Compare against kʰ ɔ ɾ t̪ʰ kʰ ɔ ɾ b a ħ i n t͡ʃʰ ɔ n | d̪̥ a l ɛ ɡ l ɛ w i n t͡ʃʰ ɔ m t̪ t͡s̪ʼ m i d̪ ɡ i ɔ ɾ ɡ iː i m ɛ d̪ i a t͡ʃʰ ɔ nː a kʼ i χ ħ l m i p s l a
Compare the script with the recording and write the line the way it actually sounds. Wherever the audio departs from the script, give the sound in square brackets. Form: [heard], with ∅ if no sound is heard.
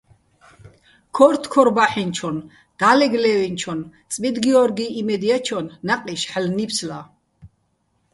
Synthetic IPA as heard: kʰ ɔ ɾ t̪ʰ kʰ ɔ ɾ b a ħ i n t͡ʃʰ ɔ n | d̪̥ a l ɛ ɡ l ɛ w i n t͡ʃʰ ɔ [n] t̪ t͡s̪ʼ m i d̪ ɡ i ɔ ɾ ɡ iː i m ɛ d̪ i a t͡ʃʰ ɔ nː a [qʼ] i [ʃ] ħ l [n] i p s l a